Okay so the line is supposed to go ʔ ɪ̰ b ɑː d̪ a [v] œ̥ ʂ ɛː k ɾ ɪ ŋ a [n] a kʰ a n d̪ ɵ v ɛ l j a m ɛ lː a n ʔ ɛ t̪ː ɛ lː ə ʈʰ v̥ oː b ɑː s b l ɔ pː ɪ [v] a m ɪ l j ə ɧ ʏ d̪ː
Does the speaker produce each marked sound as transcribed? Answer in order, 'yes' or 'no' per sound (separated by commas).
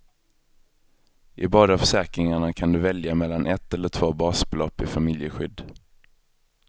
no, no, no